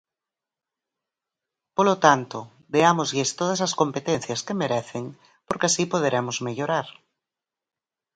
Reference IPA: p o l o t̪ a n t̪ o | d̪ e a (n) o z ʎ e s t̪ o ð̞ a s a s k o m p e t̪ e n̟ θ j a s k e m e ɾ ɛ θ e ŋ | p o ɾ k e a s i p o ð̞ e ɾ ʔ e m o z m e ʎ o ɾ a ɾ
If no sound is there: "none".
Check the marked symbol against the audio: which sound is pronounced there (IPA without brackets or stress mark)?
m